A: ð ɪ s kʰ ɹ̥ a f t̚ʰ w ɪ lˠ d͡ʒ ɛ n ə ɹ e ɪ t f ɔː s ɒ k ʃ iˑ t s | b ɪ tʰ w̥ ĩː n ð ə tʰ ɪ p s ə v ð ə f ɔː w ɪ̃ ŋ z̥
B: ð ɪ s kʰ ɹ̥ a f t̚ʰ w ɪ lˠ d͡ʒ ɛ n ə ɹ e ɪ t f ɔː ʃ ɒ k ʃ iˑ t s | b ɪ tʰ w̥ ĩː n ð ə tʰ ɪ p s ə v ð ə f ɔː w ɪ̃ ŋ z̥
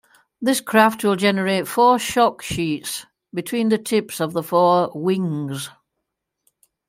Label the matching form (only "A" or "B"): B